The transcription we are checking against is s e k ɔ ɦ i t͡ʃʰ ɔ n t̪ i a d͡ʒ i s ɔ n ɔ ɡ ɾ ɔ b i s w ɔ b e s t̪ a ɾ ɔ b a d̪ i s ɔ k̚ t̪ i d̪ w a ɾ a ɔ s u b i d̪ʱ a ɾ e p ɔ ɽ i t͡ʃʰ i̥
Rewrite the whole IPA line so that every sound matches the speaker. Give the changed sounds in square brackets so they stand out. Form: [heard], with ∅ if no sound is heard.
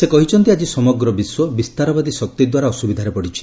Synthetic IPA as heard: s e k ɔ ɦ i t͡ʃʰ ɔ n t̪ i a d͡ʒ i s ɔ [m] ɔ ɡ ɾ ɔ b i s w ɔ b [i] s t̪ a ɾ ɔ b a d̪ i s ɔ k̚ t̪ i d̪ w a ɾ a ɔ s u b i d̪ʱ a ɾ e p ɔ ɽ i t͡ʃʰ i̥